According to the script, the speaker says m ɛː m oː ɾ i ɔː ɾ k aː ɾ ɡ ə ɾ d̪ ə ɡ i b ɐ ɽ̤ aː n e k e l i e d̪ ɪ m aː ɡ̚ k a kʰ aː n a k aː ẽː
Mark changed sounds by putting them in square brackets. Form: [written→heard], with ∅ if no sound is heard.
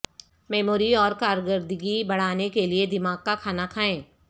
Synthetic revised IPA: m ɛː m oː ɾ i ɔː ɾ k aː ɾ ɡ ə ɾ d̪ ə ɡ i b ɐ ɽ̤ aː n e k e l i e d̪ ɪ m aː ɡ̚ k a kʰ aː n a [k→kʰ] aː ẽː